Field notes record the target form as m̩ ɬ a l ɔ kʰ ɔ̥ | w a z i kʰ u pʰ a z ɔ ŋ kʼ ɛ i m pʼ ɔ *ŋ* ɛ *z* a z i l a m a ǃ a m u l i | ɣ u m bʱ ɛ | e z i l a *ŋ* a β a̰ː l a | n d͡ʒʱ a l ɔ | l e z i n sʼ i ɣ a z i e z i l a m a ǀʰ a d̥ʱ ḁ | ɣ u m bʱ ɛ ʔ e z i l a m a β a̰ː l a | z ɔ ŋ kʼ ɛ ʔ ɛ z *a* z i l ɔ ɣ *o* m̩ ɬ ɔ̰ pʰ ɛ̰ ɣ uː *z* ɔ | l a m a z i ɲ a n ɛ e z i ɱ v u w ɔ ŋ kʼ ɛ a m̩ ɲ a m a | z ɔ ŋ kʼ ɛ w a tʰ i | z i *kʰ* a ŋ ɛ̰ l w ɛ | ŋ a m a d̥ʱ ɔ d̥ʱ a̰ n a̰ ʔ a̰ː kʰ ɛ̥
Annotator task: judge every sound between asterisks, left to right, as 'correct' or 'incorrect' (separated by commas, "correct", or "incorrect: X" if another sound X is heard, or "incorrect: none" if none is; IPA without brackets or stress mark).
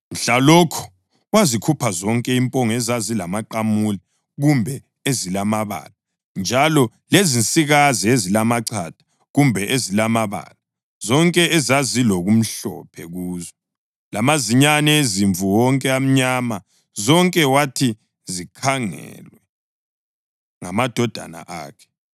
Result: correct, correct, incorrect: m, correct, incorrect: u, correct, correct